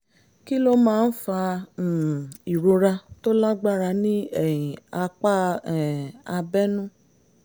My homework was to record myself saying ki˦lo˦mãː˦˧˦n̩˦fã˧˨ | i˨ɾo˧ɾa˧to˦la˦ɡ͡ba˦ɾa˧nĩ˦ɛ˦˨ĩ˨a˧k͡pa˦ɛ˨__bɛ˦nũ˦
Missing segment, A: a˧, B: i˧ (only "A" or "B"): A